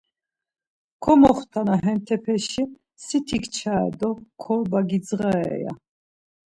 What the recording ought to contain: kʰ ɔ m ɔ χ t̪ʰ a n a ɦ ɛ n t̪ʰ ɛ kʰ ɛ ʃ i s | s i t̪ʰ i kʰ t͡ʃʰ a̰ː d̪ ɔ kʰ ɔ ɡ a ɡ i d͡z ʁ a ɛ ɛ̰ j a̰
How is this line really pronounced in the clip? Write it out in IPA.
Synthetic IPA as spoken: kʰ ɔ m ɔ χ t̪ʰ a n a ɦ ɛ n t̪ʰ ɛ pʰ ɛ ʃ i | s i t̪ʰ i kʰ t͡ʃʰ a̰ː d̪ ɔ kʰ ɔ b a ɡ i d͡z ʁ a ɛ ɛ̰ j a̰